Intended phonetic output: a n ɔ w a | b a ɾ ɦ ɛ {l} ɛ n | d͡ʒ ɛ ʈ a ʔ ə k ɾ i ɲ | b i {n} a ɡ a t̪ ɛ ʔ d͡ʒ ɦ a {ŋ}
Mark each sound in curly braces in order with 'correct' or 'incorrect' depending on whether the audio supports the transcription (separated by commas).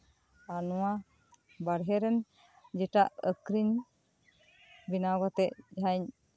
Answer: incorrect, correct, incorrect